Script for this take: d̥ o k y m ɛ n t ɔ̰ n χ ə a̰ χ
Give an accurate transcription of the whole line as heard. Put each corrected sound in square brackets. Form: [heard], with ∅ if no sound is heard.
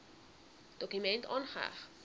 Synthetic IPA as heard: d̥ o k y m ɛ n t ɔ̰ n χ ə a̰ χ

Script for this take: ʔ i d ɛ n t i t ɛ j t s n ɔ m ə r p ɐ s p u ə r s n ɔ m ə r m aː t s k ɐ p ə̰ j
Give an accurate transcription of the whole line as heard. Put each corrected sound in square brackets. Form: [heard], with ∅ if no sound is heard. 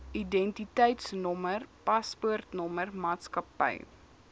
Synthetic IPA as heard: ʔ i d ɛ n t i t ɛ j t s n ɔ m ə r p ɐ s p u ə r [t] n ɔ m ə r m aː t s k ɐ p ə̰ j

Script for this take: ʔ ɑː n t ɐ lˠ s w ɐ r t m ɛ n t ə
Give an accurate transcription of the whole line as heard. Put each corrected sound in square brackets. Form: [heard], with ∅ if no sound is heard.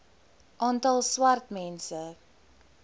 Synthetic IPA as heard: ʔ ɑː n t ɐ lˠ s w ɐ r t m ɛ n [s] ə

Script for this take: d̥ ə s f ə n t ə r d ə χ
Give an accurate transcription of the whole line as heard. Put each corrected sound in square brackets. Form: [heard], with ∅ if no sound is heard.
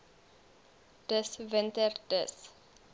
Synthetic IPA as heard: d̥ ə s [v] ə n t ə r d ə [s]

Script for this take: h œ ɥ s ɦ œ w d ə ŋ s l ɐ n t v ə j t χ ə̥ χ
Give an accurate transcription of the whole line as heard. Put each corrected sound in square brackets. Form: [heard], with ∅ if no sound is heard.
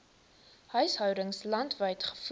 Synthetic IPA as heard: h œ ɥ s ɦ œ w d ə ŋ s l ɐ n t v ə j t χ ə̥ [f]

